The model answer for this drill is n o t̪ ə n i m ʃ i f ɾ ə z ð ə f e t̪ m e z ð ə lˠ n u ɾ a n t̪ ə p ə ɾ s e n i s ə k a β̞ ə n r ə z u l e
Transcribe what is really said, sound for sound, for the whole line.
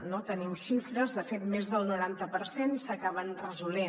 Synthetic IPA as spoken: n o t̪ ə n i m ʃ i f ɾ ə z ð ə f e t̪ m e z ð ə lˠ n u ɾ a n t̪ ə p ə ɾ s e n i s ə k a β̞ ə n r ə z u l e